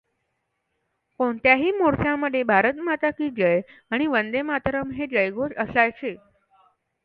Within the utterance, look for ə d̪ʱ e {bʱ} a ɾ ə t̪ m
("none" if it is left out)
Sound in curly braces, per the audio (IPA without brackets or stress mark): bʱ